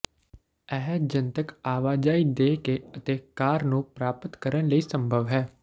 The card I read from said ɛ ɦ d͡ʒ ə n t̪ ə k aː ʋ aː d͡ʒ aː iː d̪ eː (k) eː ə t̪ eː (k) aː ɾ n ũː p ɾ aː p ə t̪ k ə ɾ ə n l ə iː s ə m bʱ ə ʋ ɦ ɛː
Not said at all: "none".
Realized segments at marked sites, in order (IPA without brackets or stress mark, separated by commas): k, k